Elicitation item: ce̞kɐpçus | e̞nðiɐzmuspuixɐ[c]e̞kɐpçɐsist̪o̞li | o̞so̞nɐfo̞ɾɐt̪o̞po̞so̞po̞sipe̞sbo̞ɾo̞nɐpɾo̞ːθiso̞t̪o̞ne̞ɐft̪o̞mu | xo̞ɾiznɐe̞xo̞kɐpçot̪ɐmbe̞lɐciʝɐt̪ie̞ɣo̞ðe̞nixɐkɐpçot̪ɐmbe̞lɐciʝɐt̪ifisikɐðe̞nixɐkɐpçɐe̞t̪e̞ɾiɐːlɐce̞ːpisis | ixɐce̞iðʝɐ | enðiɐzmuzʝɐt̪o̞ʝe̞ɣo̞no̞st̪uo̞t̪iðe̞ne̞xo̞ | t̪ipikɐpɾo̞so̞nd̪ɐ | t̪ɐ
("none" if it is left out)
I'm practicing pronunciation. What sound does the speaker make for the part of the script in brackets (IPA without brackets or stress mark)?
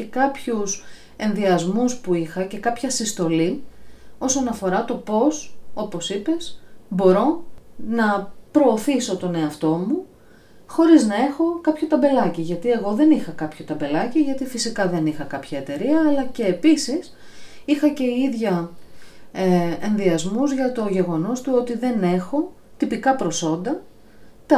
c